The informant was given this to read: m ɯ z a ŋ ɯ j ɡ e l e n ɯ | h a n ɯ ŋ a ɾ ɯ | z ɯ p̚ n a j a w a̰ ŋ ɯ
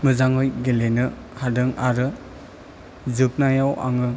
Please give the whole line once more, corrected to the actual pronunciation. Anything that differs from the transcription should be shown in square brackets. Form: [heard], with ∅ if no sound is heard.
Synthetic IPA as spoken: m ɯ z a ŋ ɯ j ɡ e l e n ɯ | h a [d] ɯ ŋ a ɾ ɯ | z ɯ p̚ n a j a w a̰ ŋ ɯ